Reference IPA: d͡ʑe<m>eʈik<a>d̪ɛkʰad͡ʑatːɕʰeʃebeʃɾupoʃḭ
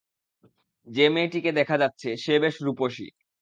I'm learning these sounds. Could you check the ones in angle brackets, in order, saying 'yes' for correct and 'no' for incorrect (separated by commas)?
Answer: yes, no